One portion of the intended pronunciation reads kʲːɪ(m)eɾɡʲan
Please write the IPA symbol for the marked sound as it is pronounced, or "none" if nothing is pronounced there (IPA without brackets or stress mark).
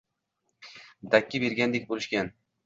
b